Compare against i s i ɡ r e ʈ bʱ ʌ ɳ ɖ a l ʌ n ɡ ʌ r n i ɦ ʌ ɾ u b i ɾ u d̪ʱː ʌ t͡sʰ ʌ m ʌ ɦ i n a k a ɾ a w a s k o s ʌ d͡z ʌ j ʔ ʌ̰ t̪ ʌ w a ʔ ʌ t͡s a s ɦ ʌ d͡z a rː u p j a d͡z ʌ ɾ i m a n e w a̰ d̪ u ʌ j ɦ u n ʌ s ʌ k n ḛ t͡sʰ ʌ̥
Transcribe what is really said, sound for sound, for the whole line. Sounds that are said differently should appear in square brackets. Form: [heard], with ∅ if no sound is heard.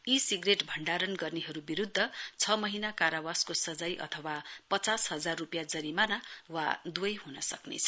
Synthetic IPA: i s i ɡ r e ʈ bʱ ʌ ɳ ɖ a [ɾ] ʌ n ɡ ʌ r n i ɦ ʌ ɾ u b i ɾ u d̪ʱː ʌ t͡sʰ ʌ m ʌ ɦ i n a k a ɾ a w a s k o s ʌ d͡z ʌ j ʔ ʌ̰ [t̪ʰ] ʌ w a [p] ʌ t͡s a s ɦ ʌ d͡z a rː u p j a d͡z ʌ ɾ i m a n [a] w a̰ d̪ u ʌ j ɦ u n ʌ s ʌ k n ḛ t͡sʰ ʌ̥